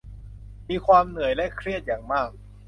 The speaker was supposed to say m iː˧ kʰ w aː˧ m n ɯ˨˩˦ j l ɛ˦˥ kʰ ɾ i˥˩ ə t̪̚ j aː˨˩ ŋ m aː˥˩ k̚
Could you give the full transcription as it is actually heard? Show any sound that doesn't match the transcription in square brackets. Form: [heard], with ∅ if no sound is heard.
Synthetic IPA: m iː˧ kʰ w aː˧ m n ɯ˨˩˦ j l ɛ˦˥ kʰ ɾ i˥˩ ə t̪̚ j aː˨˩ ŋ m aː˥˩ k̚